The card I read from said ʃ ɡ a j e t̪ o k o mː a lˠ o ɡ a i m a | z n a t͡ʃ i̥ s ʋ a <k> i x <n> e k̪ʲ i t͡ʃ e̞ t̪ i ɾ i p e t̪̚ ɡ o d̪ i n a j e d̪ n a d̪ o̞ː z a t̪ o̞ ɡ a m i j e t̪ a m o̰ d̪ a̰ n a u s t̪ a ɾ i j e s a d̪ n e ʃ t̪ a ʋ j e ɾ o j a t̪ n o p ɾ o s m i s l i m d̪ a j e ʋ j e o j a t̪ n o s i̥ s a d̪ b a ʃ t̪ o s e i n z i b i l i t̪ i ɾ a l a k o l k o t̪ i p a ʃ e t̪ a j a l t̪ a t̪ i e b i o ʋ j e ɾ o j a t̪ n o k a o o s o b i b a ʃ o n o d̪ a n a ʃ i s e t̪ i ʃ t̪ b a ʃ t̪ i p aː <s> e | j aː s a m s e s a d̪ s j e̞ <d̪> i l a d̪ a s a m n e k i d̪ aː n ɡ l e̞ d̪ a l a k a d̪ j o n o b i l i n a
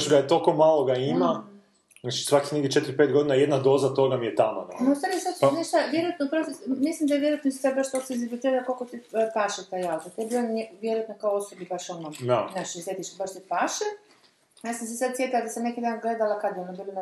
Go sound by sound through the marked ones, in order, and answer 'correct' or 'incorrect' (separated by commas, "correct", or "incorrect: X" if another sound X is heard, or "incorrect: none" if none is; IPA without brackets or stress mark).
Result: correct, correct, incorrect: ʃ, incorrect: t̪